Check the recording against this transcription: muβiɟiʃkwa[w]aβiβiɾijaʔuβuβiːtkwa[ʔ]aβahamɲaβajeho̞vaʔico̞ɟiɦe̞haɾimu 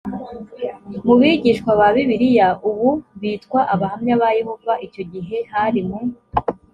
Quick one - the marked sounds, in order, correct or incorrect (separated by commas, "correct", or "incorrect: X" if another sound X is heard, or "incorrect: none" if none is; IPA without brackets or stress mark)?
incorrect: β, correct